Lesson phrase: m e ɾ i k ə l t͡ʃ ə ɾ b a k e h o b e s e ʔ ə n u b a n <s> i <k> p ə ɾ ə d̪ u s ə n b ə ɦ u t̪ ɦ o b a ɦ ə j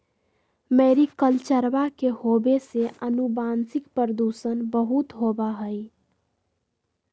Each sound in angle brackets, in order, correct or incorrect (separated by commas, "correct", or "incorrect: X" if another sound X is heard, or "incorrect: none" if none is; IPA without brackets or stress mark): correct, correct